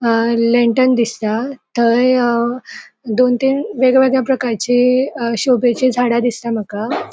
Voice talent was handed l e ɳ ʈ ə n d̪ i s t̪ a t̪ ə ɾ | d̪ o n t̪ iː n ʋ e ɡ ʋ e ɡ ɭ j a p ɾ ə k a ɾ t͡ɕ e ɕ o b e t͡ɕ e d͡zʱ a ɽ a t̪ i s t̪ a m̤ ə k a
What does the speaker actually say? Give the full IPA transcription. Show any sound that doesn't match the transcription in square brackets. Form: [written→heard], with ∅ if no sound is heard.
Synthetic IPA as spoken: l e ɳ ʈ ə n d̪ i s t̪ a t̪ ə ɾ | d̪ o n t̪ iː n ʋ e ɡ ʋ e ɡ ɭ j a p ɾ ə k a ɾ t͡ɕ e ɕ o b e t͡ɕ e d͡zʱ a ɽ a [t̪→d̪] i s t̪ a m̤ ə k a